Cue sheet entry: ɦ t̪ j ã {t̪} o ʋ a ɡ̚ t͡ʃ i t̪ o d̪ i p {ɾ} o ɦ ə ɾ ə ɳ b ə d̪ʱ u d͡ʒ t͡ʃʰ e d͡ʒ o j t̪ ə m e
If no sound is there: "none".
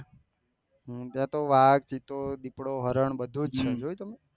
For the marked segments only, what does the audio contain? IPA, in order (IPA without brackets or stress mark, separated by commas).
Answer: t̪, ɽ